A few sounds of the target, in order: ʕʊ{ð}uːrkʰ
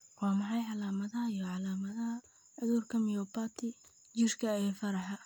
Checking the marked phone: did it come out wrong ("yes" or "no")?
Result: no